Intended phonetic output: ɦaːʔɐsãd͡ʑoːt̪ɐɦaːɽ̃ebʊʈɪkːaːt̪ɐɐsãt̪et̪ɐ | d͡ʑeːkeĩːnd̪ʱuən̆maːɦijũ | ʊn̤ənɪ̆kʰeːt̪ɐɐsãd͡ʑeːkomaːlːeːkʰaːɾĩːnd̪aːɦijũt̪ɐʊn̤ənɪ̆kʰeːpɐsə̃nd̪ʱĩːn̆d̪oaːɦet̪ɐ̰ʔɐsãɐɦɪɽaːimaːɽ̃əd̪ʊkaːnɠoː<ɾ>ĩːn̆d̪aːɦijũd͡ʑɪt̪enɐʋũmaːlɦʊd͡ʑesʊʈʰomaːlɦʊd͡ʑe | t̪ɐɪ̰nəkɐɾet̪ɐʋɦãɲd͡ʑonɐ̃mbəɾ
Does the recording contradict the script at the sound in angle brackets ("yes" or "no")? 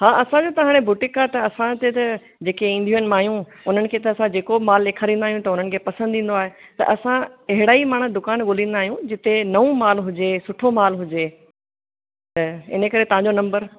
yes